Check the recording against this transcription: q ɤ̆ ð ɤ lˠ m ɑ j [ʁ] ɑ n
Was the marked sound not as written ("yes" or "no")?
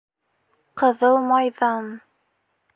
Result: yes